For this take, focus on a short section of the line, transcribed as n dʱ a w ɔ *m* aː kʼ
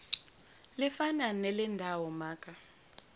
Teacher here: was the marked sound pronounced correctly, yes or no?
yes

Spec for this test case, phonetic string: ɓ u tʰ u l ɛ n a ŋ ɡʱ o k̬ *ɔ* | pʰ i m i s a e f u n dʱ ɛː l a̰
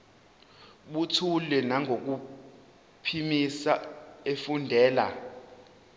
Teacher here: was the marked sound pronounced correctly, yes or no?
no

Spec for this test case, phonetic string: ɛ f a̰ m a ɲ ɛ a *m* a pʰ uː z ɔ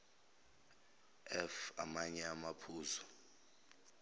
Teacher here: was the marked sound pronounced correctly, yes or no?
yes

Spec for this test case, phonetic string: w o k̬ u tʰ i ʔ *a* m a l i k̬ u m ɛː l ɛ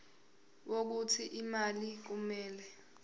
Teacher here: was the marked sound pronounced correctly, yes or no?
no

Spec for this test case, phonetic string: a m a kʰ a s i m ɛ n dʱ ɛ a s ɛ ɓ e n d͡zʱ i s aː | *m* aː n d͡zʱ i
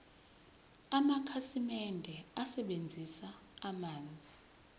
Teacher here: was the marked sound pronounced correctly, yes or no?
yes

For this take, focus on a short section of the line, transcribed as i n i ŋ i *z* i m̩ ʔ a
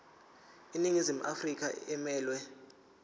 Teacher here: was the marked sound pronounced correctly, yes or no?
yes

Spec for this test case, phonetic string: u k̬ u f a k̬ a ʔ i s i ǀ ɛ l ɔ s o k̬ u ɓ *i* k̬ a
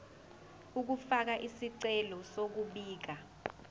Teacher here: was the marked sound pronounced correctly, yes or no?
no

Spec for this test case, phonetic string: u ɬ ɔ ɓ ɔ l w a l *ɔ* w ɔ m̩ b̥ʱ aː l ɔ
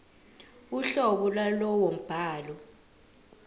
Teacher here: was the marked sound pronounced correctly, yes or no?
yes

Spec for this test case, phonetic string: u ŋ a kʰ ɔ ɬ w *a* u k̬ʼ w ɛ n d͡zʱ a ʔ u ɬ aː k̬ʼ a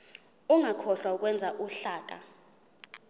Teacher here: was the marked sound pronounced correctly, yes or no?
yes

